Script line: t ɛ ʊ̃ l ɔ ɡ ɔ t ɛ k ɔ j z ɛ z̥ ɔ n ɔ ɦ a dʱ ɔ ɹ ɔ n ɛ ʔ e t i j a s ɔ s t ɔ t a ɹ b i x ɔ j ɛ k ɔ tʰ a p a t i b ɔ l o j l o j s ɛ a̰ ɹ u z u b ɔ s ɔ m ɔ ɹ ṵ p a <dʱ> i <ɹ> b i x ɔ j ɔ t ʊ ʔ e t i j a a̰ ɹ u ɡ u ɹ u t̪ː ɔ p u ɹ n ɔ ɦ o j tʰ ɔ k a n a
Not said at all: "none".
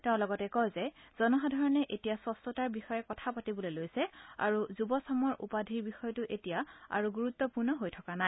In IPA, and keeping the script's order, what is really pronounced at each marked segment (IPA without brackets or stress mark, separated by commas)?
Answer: dʱ, ɹ